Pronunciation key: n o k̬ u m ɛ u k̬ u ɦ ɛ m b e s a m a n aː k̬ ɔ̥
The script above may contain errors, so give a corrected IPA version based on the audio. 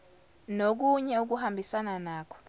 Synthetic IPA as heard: n o k̬ u ɲ ɛ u k̬ u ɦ a m b i s a n a n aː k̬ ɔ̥